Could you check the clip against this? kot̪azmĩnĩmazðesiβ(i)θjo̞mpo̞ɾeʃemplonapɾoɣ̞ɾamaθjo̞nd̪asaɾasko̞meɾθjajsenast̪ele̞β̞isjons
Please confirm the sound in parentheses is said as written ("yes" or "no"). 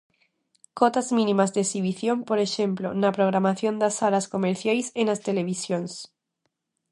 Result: yes